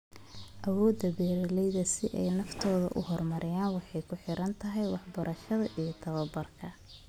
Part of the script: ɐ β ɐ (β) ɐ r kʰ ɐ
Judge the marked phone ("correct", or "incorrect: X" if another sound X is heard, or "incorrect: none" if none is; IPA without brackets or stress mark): incorrect: b